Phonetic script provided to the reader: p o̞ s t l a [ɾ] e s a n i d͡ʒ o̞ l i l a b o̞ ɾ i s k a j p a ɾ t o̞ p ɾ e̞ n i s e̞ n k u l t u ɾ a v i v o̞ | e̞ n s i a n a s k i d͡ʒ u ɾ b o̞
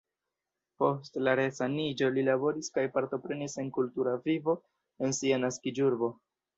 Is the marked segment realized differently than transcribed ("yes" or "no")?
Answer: no